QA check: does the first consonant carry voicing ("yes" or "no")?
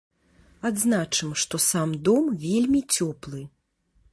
yes